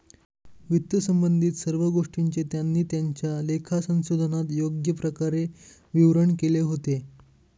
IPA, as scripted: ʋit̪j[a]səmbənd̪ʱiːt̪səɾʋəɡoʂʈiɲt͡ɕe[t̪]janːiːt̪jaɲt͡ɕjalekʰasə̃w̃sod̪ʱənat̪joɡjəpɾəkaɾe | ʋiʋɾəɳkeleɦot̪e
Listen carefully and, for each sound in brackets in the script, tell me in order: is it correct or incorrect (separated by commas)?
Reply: incorrect, correct